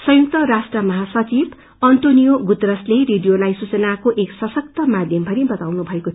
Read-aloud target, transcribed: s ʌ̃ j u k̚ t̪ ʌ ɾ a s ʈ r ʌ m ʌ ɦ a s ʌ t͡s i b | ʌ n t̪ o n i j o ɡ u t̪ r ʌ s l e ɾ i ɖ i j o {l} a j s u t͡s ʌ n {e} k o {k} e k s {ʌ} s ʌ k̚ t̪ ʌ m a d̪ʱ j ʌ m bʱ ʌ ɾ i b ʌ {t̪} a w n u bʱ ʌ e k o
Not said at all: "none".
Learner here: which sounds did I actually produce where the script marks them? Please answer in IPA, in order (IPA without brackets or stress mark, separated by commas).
l, a, ʔ, ʌ, t̪